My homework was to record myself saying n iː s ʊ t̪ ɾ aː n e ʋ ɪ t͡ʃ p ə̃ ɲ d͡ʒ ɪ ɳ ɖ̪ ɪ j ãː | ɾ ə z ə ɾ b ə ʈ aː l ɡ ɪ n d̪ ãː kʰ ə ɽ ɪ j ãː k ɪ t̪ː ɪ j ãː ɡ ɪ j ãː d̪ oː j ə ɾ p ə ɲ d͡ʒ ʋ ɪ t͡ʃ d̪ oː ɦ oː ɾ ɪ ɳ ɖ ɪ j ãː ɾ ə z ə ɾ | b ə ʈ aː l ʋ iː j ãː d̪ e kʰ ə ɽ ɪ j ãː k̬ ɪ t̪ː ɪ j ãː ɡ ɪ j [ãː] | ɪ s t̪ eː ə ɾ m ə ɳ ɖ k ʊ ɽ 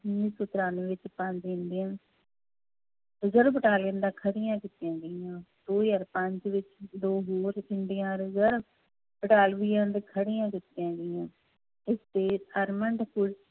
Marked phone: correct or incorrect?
correct